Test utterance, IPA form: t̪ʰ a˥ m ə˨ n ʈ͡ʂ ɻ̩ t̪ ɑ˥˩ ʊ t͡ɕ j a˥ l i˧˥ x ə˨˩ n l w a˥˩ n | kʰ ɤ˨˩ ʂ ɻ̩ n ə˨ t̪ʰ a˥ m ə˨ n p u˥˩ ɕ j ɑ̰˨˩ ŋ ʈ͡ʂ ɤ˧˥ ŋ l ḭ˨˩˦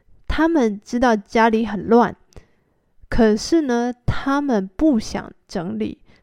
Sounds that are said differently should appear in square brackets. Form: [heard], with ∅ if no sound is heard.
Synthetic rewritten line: t̪ʰ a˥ m ə˨ n ʈ͡ʂ ɻ̩ t̪ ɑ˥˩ ʊ t͡ɕ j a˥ l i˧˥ x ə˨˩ n l w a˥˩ n | kʰ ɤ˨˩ ʂ ɻ̩ n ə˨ t̪ʰ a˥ m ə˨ n p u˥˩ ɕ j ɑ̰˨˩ ŋ ʈ͡ʂ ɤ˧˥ ŋ l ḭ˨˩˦